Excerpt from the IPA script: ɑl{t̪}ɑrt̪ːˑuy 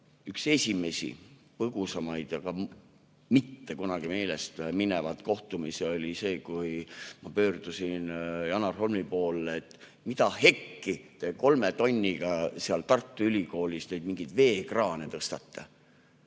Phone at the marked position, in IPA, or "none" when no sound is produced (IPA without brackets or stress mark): t̪